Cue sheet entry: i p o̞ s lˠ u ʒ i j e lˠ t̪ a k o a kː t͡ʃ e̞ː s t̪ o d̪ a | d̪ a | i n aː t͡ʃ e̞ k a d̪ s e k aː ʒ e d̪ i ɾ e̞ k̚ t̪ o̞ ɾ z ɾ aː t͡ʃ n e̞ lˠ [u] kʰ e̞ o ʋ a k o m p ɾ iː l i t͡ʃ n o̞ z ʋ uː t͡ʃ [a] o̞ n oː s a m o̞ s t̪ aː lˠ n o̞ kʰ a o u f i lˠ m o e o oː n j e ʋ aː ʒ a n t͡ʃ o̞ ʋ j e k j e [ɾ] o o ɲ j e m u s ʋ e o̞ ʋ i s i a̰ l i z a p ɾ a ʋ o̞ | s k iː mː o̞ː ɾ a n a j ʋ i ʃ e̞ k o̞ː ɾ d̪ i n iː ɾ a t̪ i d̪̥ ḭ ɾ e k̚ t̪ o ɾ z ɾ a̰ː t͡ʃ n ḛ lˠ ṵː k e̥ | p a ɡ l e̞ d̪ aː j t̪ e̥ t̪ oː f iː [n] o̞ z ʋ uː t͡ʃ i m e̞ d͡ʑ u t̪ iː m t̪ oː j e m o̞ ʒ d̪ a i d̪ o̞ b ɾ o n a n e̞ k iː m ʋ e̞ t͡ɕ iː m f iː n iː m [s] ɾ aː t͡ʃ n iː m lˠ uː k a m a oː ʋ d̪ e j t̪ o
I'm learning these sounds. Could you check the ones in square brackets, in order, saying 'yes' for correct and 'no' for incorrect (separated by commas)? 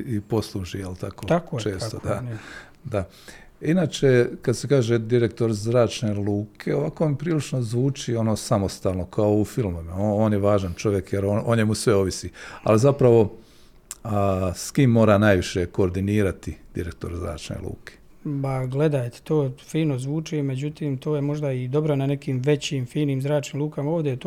no, no, yes, yes, no